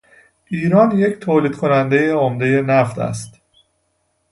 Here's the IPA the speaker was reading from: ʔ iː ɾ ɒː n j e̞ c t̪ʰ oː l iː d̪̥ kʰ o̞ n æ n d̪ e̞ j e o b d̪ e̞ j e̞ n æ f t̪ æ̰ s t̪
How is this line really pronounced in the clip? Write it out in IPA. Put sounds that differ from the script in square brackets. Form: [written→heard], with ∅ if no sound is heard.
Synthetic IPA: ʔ iː ɾ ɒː n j e̞ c t̪ʰ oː l iː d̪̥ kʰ o̞ n æ n d̪ e̞ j e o [b→m] d̪ e̞ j e̞ n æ f t̪ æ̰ s t̪